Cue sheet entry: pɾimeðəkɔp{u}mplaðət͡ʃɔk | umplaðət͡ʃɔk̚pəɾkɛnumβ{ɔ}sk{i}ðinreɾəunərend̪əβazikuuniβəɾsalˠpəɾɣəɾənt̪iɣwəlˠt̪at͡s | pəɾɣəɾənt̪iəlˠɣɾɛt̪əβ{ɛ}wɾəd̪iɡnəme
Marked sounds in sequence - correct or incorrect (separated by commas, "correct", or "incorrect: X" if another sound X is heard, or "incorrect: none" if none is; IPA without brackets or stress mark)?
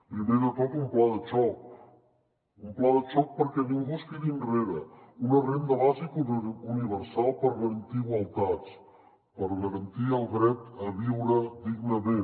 correct, incorrect: u, correct, incorrect: i